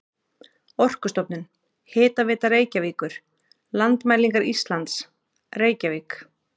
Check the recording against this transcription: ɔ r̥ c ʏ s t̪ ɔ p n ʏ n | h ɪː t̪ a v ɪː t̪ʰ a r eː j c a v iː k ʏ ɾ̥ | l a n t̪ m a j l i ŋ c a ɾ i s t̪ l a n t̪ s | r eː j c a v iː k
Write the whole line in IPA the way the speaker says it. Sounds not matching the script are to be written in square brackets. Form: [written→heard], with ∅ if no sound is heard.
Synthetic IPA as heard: ɔ r̥ [c→k] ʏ s t̪ ɔ p n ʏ n | h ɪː t̪ a v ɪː [t̪ʰ→t̪] a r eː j c a v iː k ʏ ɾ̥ | l a n t̪ m a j l i ŋ [c→k] a ɾ i s t̪ l a n t̪ s | r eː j c a v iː k